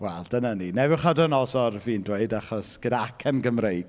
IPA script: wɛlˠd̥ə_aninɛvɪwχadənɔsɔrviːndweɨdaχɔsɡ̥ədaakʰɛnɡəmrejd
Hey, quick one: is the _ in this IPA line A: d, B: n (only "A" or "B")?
B